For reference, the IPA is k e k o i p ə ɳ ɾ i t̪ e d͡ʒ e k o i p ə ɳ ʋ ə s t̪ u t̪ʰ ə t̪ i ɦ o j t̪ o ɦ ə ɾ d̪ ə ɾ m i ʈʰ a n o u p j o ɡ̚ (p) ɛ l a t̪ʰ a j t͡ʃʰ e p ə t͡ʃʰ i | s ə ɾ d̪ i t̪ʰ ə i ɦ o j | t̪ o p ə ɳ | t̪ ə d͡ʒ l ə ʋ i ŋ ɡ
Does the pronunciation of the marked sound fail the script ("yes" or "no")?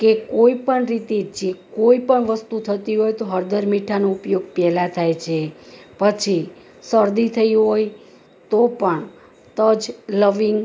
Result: no